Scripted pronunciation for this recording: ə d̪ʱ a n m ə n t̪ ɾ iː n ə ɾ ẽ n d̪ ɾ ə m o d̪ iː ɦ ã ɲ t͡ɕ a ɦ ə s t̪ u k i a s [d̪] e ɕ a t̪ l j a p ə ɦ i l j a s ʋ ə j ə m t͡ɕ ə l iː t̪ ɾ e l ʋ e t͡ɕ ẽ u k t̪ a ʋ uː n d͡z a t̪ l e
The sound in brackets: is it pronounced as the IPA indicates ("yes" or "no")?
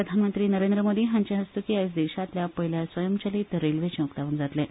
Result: yes